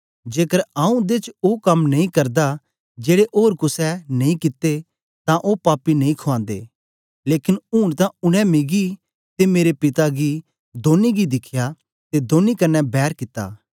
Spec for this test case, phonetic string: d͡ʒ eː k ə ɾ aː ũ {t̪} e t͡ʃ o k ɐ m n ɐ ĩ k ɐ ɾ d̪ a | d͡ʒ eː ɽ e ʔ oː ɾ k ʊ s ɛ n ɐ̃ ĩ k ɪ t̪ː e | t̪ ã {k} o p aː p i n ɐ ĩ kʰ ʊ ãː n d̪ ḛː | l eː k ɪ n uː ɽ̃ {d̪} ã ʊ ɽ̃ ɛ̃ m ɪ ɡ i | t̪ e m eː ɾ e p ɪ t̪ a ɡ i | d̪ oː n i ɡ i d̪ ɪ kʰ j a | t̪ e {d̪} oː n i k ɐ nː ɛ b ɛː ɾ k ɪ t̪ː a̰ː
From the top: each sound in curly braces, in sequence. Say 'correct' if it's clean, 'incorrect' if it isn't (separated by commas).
incorrect, incorrect, incorrect, correct